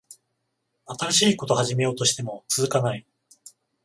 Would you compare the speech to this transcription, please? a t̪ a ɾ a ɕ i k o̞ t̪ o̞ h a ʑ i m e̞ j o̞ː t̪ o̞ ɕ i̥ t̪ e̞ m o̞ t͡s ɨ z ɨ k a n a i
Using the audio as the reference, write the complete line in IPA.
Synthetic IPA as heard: a t̪ a ɾ a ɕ iː k o̞ t̪ o̞ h a ʑ i m e̞ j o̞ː t̪ o̞ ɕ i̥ t̪ e̞ m o̞ t͡s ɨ z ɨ k a n a i